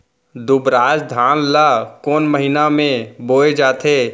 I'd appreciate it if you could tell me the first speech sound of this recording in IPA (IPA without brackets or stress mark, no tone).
d̪